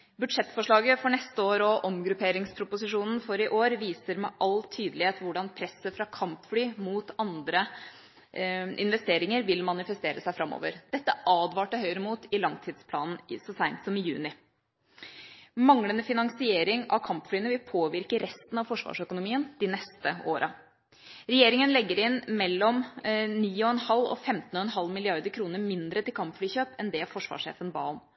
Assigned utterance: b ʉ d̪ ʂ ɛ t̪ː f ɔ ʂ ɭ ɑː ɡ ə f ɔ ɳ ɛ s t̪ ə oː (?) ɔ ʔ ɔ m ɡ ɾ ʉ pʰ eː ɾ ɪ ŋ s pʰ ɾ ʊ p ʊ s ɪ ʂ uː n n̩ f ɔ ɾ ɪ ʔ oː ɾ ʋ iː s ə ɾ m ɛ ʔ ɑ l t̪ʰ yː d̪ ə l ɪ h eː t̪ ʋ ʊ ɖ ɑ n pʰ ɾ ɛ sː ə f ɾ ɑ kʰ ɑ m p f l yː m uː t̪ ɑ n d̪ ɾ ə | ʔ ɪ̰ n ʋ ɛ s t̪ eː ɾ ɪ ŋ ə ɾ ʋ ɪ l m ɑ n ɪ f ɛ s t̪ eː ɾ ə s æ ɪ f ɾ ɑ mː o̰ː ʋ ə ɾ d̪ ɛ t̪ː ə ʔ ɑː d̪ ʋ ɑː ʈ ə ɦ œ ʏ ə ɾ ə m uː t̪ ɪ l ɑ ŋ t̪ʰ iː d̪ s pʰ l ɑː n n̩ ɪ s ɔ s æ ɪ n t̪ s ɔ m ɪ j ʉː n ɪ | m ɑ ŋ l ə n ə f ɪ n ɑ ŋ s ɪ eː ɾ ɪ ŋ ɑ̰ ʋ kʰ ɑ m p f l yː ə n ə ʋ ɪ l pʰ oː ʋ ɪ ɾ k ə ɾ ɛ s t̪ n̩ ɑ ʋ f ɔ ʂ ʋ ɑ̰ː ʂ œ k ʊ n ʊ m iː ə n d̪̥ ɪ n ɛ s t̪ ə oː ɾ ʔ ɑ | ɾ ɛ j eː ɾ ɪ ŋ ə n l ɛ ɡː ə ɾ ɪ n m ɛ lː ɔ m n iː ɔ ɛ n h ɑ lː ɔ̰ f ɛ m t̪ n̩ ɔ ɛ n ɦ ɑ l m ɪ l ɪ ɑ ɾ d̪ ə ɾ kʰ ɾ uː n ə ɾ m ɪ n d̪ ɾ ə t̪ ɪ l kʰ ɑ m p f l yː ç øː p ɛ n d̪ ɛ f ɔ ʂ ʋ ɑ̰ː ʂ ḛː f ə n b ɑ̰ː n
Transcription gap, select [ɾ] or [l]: ɾ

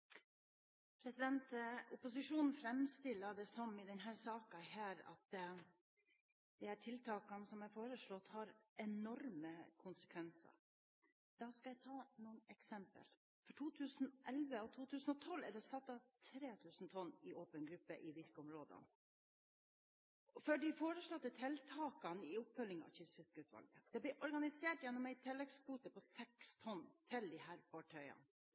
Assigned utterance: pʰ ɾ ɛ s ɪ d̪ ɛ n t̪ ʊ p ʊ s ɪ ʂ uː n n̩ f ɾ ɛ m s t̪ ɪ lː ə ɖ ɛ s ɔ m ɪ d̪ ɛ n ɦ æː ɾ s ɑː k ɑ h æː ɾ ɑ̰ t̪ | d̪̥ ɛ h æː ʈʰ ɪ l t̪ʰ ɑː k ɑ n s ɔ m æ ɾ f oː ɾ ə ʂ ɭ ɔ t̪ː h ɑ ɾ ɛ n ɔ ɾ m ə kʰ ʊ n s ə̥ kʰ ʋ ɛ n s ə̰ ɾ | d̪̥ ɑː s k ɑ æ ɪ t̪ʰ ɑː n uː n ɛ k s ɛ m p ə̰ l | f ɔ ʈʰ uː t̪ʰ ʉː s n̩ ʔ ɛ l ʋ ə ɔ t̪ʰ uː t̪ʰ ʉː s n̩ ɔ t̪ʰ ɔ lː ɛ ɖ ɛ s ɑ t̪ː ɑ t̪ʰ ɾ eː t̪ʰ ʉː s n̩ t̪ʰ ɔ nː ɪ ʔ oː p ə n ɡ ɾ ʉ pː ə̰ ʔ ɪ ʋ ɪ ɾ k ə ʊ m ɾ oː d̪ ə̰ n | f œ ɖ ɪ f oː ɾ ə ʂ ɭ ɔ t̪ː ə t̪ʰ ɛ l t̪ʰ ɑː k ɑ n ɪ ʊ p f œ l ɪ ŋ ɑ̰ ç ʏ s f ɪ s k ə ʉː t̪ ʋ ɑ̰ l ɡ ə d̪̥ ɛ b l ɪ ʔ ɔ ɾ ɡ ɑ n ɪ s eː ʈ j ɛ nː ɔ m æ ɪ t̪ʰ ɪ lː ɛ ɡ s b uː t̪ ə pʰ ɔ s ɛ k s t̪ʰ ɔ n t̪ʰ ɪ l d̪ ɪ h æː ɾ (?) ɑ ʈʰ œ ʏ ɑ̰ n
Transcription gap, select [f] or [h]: f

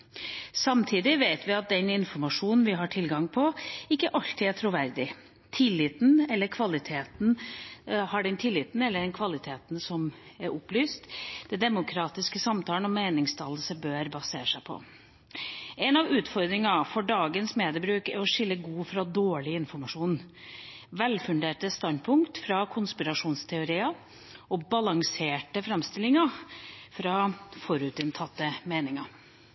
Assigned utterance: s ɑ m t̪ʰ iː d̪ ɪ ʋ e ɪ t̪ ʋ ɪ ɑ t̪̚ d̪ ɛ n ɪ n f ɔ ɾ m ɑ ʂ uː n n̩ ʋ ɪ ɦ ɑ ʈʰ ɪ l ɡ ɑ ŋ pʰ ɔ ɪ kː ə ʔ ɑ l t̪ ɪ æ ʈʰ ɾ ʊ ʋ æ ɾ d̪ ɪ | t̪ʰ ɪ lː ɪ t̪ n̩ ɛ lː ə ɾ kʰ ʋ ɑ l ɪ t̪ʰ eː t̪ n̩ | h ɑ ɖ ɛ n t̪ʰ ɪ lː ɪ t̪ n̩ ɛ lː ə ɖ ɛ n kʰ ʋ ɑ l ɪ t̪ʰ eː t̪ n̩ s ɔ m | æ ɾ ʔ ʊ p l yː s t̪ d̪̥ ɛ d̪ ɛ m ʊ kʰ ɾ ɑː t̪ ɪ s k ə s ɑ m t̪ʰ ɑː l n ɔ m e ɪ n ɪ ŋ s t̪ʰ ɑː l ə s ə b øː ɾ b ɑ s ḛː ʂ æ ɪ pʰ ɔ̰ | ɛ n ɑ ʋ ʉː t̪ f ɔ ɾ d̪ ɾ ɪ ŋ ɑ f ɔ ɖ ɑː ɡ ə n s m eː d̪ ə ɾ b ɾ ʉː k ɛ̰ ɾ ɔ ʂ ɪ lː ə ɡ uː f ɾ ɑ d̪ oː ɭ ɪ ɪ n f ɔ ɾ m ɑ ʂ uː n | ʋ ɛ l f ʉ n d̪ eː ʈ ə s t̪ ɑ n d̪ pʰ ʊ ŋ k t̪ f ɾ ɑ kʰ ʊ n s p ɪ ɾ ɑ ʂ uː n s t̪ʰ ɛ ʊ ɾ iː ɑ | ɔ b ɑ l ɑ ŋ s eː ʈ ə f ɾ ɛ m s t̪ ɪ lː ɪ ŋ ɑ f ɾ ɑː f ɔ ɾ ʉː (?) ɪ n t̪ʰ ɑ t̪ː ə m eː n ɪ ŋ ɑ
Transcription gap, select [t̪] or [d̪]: t̪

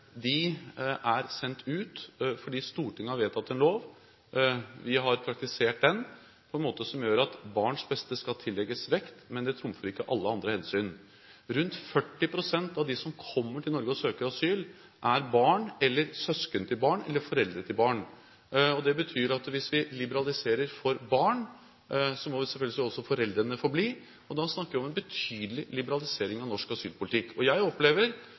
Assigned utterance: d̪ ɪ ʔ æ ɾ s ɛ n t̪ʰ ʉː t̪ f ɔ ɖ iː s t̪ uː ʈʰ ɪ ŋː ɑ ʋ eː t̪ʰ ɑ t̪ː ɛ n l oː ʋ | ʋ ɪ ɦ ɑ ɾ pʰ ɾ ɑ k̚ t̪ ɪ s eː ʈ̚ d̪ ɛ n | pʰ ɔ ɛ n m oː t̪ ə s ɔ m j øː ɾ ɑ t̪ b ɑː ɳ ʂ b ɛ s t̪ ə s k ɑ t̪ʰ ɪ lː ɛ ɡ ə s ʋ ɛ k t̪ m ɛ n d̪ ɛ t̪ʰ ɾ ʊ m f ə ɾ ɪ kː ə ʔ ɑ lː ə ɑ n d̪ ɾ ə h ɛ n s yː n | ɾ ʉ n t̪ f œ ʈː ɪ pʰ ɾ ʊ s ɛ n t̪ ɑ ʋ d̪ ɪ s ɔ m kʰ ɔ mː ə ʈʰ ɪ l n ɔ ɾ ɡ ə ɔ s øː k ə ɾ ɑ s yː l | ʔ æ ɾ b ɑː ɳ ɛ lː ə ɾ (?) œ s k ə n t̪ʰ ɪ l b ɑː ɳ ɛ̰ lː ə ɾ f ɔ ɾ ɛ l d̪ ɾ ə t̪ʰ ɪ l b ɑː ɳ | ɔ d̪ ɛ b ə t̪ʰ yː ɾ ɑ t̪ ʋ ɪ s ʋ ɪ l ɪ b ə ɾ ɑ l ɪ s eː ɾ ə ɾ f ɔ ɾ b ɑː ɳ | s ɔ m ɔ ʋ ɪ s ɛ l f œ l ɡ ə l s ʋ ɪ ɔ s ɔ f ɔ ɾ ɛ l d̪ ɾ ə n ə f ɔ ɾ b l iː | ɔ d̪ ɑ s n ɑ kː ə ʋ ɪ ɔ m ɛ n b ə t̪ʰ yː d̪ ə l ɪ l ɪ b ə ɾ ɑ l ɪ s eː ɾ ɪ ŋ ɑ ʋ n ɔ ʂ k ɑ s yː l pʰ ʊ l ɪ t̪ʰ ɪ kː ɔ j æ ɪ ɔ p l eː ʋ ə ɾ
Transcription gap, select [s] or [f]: s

